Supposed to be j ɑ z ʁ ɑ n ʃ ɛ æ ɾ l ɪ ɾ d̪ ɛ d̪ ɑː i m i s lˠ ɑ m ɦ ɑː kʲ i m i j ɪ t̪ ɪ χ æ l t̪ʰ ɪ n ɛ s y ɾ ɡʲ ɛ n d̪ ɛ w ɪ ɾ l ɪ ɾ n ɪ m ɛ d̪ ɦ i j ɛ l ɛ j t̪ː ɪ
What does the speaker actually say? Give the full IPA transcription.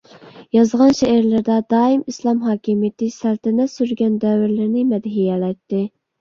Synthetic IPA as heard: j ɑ z ʁ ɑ n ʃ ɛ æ ɾ l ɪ ɾ d̪ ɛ d̪ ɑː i m i s lˠ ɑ m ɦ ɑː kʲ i m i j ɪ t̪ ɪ s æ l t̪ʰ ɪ n ɛ s y ɾ ɡʲ ɛ n d̪ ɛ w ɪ ɾ l ɪ ɾ n ɪ m ɛ d̪ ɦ i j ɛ l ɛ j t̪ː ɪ